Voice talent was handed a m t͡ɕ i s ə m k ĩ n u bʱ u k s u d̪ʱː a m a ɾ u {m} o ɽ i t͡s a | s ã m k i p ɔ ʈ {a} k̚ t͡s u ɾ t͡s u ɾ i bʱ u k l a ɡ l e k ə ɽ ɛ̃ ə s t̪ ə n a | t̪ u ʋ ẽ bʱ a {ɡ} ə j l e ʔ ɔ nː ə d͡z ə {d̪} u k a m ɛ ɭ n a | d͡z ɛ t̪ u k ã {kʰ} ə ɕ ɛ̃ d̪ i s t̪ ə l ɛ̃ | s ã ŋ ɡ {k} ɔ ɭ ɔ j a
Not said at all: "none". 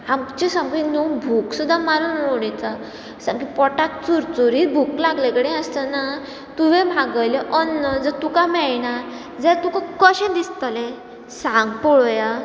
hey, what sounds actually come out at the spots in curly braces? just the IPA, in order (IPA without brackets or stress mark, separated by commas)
n, a, ɡ, t̪, k, p